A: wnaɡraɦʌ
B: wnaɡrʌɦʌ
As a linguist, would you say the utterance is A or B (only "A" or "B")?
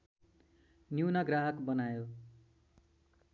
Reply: A